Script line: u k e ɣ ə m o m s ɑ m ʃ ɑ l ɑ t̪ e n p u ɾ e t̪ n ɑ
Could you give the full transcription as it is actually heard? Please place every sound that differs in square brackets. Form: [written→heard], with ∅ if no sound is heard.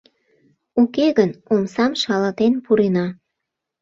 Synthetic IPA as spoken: u k e ɣ ə [m→n] o m s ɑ m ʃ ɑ l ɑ t̪ e n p u ɾ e [t̪→∅] n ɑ